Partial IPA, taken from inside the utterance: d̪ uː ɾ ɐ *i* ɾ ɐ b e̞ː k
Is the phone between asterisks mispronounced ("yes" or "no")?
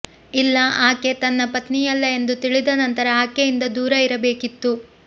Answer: no